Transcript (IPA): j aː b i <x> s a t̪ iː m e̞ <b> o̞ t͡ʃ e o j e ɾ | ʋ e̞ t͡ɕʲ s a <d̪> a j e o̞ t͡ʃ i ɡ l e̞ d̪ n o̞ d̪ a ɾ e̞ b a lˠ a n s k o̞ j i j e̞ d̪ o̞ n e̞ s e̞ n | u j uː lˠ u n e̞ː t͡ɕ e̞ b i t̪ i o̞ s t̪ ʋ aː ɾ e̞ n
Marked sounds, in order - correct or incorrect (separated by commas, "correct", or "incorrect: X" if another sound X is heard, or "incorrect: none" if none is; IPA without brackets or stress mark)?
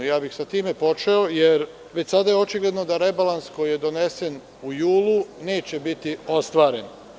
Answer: correct, incorrect: p, correct